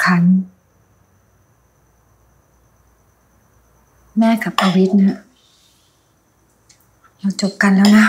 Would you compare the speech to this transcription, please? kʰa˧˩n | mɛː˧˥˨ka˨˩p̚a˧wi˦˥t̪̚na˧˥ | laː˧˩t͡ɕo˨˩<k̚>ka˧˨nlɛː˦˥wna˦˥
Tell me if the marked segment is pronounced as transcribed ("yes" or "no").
no